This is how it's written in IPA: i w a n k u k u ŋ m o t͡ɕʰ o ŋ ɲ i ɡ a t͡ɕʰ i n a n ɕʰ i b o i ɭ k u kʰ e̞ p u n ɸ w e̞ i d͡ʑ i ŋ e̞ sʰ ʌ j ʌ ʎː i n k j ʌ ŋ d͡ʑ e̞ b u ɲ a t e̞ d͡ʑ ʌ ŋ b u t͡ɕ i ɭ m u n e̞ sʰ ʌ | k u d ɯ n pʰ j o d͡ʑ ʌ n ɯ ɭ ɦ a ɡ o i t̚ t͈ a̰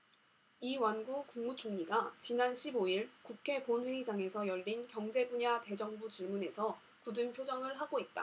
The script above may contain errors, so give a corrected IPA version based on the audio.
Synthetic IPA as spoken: i w a n ɡ u k u ŋ m u t͡ɕʰ o ŋ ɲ i ɡ a t͡ɕ i n a n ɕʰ i b o i ɭ k u kʰ e̞ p o n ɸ w e̞ i d͡ʑ a ŋ e̞ sʰ ʌ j ʌ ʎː i n k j ʌ ŋ d͡ʑ e̞ b u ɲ a t e̞ d͡ʑ ʌ ŋ b u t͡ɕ i ɭ m u n e̞ sʰ ʌ | k u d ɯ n pʰ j o d͡ʑ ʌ ŋ ɯ ɭ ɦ a ɡ o i t̚ t͈ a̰